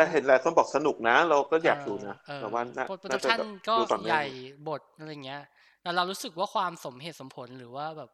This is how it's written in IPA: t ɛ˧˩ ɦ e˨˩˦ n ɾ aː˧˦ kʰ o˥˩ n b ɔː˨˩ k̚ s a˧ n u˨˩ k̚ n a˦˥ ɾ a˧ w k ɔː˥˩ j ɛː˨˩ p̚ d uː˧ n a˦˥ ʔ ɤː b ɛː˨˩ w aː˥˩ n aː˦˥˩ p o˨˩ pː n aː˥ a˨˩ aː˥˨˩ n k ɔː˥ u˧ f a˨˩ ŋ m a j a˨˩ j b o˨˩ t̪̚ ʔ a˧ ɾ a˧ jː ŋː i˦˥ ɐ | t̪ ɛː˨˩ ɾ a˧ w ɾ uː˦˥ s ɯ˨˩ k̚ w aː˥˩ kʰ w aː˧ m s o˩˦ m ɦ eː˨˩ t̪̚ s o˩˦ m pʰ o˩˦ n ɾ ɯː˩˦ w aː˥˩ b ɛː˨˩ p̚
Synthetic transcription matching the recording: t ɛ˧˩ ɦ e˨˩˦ n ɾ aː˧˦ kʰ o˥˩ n b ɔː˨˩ k̚ s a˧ n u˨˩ k̚ n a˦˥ ɾ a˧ w k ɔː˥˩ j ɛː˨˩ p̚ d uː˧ n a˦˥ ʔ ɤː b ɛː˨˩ w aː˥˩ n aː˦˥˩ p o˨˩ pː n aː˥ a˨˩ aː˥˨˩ n k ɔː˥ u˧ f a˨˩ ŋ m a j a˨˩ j b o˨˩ t̪̚ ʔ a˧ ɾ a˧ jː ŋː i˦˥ ɐ | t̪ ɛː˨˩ ɾ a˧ w ɾ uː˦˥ s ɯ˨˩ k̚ w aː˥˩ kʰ w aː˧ m s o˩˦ m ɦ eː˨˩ t̪̚ s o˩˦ m pʰ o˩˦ n ɾ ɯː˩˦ w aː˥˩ b ɛː˨˩ p̚